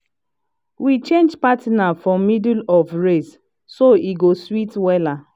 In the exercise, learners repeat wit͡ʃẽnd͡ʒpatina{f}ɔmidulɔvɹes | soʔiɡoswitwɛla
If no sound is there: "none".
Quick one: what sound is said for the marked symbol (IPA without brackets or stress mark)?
f